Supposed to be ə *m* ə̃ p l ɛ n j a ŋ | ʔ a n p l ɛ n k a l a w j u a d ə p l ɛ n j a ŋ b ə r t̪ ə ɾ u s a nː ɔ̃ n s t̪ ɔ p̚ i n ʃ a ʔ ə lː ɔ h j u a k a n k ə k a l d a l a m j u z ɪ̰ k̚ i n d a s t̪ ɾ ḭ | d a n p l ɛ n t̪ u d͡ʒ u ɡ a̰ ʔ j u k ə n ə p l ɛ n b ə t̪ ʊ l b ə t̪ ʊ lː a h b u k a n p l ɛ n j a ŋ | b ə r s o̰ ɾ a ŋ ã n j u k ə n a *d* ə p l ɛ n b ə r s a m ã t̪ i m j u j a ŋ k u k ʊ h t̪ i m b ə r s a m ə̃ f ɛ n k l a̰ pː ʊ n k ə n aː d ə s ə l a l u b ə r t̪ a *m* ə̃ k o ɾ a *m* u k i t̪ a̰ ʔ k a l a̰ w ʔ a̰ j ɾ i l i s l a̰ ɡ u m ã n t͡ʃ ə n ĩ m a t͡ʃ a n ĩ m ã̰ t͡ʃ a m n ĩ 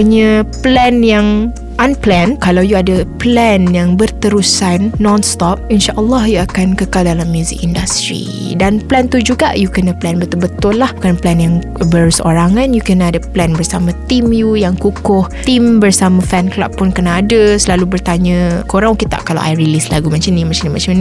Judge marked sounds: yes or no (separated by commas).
no, yes, no, no